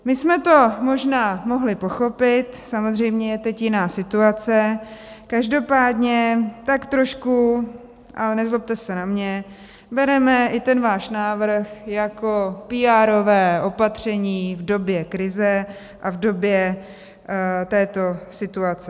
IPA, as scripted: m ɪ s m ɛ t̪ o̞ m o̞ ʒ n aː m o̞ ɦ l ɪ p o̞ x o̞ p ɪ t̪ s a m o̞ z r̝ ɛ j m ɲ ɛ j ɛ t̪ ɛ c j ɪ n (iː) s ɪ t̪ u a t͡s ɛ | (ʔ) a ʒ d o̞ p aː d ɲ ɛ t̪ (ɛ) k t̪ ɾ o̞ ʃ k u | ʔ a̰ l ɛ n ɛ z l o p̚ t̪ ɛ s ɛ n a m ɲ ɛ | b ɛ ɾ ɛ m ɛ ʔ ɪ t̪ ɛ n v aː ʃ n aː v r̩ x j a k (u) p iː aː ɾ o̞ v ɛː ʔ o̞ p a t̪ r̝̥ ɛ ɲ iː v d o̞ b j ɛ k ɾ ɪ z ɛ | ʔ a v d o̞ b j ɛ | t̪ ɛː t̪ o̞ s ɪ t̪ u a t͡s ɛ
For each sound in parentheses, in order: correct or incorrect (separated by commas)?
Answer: incorrect, incorrect, incorrect, incorrect